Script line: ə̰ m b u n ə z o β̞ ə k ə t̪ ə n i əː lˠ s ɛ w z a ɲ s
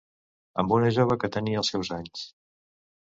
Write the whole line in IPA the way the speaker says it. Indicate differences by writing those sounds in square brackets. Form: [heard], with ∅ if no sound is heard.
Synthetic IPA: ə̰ m b u n ə [ʒ] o β̞ ə k ə t̪ ə n i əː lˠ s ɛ w z a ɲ s